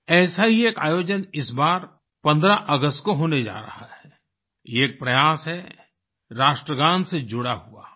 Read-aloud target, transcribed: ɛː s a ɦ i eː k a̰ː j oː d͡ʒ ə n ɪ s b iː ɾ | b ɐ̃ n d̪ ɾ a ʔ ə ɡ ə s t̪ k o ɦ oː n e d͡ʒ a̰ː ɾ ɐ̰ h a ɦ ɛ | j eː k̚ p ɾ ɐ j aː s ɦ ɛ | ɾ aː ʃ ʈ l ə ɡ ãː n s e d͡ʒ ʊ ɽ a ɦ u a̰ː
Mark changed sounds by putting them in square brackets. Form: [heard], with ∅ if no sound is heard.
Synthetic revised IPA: ɛː s a ɦ i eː k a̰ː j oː d͡ʒ ə n ɪ s b [aː] ɾ | [p] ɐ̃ n d̪ ɾ a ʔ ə ɡ ə s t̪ k o ɦ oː n e d͡ʒ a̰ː ɾ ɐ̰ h a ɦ ɛ | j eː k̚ p ɾ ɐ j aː s ɦ ɛ | ɾ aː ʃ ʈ [ɾ] ə ɡ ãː n s e d͡ʒ ʊ ɽ a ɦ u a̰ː